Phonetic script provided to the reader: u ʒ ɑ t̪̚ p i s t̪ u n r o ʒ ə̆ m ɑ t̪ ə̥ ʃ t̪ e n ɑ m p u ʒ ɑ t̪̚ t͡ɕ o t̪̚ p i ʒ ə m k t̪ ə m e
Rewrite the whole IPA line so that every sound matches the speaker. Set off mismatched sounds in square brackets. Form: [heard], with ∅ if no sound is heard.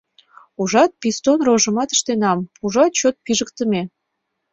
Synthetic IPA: u ʒ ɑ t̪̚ p i s t̪ [o] n r o ʒ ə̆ m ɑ t̪ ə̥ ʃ t̪ e n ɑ m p u ʒ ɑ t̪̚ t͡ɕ o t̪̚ p i ʒ ə [∅] k t̪ ə m e